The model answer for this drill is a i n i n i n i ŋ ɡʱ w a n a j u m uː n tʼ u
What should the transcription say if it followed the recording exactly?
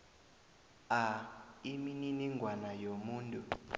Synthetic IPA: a i m i n i n i ŋ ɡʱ w a n a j o m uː n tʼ u